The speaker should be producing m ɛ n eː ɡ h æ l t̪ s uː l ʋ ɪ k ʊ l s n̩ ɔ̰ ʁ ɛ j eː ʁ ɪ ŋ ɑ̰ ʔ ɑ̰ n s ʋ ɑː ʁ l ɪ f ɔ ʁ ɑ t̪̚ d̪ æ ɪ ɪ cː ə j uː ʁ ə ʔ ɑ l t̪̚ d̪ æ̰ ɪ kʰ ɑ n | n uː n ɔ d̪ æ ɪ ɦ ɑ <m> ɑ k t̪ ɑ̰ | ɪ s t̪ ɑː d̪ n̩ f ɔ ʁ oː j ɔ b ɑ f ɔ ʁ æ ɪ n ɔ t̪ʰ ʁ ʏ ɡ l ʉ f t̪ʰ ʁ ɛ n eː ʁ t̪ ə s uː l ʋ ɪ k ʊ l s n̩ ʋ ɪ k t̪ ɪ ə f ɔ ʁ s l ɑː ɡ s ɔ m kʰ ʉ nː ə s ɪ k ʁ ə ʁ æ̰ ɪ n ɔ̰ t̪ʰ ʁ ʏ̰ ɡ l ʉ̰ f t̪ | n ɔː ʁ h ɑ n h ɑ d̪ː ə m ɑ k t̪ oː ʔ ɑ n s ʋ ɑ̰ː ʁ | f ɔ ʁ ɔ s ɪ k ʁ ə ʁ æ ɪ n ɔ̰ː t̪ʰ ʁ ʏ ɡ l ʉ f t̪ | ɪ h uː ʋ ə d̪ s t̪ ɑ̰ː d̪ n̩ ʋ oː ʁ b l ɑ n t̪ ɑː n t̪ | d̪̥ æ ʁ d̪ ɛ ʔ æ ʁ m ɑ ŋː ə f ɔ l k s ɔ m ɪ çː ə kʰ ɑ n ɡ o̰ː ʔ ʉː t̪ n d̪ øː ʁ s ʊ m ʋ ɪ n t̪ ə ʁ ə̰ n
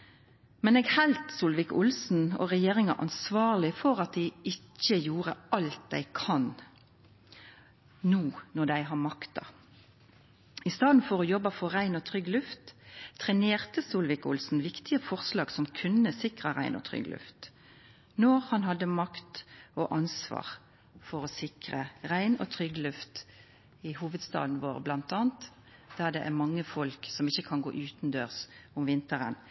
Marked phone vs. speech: correct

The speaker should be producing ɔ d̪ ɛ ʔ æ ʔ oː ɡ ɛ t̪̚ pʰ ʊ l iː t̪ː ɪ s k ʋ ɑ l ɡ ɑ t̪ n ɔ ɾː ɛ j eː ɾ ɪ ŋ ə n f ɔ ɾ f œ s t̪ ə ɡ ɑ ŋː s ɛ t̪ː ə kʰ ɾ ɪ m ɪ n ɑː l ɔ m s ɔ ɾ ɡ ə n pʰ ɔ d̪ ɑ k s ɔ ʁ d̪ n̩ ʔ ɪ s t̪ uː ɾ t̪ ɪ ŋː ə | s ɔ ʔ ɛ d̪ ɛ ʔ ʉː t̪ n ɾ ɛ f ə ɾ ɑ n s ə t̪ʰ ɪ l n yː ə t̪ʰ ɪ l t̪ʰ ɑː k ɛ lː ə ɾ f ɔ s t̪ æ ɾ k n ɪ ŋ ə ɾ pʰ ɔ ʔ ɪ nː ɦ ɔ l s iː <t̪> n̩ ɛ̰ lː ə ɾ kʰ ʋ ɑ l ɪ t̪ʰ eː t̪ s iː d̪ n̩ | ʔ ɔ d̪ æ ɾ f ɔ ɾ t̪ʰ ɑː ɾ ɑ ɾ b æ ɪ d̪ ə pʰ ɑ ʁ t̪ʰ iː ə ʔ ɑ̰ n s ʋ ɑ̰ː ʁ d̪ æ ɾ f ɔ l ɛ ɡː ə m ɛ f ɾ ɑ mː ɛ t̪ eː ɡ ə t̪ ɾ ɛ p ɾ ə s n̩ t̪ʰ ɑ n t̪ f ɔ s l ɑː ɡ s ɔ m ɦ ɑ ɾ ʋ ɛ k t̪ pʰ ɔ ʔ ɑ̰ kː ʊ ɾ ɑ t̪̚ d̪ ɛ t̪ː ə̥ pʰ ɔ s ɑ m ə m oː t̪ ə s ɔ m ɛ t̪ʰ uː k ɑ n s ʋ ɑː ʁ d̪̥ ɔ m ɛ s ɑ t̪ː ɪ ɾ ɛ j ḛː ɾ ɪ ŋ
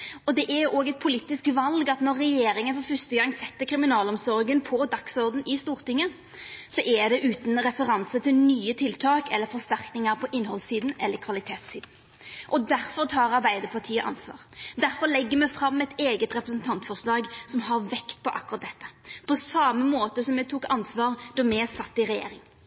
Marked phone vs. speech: incorrect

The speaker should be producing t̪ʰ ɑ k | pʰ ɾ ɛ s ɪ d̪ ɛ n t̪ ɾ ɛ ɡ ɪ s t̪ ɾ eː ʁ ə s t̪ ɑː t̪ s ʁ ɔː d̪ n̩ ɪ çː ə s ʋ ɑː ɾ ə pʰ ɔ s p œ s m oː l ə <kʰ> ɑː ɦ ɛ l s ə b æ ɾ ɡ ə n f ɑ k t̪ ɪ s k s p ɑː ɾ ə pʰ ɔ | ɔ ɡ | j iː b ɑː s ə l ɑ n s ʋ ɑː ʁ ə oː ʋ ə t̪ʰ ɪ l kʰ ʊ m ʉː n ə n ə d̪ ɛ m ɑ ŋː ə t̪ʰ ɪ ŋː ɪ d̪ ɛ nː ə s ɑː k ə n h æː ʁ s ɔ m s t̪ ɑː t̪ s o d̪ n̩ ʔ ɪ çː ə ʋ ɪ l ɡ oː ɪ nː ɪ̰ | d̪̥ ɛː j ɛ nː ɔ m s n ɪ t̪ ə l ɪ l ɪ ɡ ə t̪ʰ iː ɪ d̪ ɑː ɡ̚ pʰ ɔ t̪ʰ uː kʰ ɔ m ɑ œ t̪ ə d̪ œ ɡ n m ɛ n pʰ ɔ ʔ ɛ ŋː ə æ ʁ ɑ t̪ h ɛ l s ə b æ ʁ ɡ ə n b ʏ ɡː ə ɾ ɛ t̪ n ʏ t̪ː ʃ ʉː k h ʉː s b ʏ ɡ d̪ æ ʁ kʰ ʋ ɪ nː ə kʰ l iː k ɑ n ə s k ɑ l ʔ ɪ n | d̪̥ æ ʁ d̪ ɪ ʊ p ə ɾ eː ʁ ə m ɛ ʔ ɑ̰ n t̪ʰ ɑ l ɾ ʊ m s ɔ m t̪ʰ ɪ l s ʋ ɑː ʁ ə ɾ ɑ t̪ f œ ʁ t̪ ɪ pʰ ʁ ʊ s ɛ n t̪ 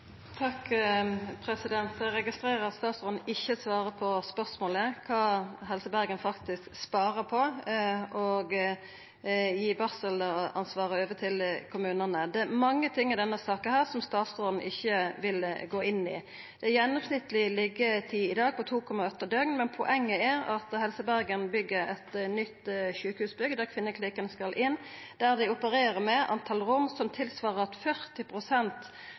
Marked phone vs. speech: correct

